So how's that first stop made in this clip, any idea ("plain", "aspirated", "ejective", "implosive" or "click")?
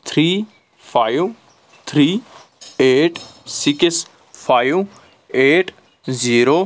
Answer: aspirated